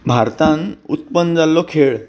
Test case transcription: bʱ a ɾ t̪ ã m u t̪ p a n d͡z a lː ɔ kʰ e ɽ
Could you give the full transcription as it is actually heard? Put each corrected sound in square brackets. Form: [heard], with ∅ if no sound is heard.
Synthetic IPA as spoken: bʱ a ɾ t̪ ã [n] u t̪ p [ə] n d͡z a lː ɔ kʰ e [ɭ]